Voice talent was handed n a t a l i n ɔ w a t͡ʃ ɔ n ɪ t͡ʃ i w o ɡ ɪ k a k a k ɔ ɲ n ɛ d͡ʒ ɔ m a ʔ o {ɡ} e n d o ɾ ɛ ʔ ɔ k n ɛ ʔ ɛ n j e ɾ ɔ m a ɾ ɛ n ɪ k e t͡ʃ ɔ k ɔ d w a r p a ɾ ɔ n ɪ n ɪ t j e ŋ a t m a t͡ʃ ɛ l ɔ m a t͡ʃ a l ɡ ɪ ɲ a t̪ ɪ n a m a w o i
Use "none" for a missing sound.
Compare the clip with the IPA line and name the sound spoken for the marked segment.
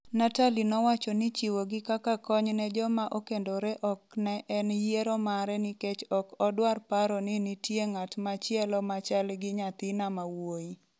k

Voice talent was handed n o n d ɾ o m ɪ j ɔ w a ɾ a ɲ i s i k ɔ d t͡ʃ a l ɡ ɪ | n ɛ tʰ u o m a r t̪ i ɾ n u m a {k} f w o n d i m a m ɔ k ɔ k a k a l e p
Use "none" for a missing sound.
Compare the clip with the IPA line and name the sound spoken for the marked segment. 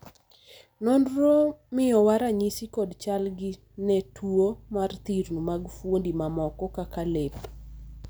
ɡ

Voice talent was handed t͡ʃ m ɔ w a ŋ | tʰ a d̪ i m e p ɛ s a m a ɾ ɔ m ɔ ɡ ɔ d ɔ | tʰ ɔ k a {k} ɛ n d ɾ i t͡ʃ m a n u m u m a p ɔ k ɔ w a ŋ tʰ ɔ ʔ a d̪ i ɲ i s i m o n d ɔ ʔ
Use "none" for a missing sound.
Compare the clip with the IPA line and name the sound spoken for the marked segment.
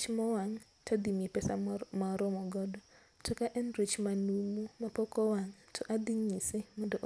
ʔ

